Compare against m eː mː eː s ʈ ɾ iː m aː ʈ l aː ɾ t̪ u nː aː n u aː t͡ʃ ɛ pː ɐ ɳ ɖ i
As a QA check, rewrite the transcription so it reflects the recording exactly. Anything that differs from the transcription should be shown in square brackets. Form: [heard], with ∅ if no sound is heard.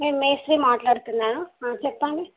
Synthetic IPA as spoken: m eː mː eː s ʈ ɾ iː m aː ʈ l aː [ɽ] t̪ u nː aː n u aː t͡ʃ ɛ pː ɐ ɳ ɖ i